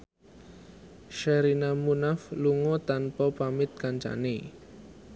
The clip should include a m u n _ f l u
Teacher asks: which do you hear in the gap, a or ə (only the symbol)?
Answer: a